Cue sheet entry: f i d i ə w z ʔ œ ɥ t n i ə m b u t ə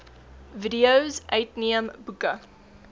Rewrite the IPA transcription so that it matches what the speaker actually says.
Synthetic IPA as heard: v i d i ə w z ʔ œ ɥ t n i ə m b u k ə